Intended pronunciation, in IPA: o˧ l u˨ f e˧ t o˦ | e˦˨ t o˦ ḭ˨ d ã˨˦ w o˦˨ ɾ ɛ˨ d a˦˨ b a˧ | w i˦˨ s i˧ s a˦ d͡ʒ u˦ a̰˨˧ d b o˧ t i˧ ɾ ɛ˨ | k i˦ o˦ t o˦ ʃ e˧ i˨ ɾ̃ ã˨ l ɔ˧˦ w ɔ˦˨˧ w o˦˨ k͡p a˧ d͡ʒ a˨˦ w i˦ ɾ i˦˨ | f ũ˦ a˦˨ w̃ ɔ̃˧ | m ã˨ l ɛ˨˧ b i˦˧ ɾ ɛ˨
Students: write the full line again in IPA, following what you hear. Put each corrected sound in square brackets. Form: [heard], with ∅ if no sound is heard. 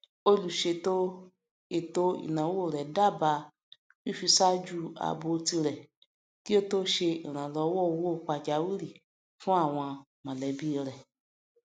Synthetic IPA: o˧ l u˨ [ʃ] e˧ t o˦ | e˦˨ t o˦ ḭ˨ [n] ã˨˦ w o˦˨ ɾ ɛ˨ d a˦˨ b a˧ | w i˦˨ [f] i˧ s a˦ d͡ʒ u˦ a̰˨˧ [∅] b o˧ t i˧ ɾ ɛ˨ | k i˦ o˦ t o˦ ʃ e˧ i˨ ɾ̃ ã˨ l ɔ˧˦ w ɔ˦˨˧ w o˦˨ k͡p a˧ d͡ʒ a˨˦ w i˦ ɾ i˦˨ | f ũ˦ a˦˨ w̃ ɔ̃˧ | m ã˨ l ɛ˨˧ b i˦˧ ɾ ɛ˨